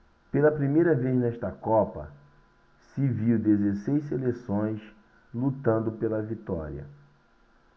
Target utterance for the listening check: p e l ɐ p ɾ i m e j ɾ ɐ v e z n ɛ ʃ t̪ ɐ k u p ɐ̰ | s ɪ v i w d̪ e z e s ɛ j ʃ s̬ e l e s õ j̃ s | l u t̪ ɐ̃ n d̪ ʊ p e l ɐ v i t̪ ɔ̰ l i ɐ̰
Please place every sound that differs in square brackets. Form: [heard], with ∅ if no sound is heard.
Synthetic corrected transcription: p e l ɐ p ɾ i m e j ɾ ɐ v e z n ɛ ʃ t̪ ɐ k [ɔ] p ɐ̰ | s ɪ v i w d̪ e z e s [e] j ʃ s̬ e l e s õ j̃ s | l u t̪ ɐ̃ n d̪ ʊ p e l ɐ v i t̪ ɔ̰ [ɾ] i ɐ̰